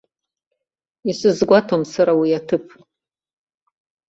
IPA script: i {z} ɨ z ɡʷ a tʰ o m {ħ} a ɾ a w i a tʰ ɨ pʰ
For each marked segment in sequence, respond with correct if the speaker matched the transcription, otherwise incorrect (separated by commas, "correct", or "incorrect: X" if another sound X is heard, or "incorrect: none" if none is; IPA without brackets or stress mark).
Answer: incorrect: s, incorrect: s